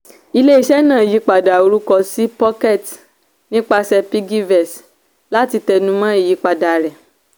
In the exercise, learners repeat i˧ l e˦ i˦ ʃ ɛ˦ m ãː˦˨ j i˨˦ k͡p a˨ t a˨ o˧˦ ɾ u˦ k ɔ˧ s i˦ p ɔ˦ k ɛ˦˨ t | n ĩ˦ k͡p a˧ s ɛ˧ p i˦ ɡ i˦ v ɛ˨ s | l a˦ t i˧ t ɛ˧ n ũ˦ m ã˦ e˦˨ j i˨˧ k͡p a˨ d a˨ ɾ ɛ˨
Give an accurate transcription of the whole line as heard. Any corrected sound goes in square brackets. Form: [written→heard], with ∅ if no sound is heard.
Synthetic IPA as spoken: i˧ l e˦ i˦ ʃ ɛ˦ [m→n] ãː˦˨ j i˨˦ k͡p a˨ [t→d] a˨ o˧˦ ɾ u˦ k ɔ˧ s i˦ p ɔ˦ k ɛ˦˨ t | n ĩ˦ k͡p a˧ s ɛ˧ p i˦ ɡ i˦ v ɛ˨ s | l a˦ t i˧ t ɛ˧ n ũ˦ m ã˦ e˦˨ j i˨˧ k͡p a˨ d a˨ ɾ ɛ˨